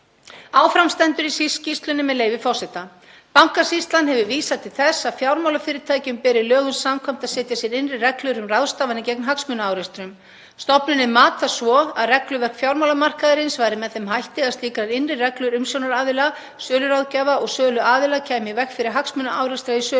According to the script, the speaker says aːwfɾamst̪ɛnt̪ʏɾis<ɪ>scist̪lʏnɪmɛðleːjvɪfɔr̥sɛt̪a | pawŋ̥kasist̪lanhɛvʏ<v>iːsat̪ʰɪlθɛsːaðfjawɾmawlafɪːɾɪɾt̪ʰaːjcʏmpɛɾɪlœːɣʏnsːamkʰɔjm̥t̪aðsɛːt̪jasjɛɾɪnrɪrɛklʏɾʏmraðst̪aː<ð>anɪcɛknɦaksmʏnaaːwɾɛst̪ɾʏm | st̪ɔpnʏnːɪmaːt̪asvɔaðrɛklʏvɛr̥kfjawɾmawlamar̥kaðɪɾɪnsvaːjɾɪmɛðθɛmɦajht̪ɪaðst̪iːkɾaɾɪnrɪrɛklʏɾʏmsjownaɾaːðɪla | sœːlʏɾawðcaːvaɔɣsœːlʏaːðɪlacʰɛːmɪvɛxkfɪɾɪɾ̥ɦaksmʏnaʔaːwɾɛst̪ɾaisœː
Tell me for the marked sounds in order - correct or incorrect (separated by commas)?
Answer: incorrect, correct, incorrect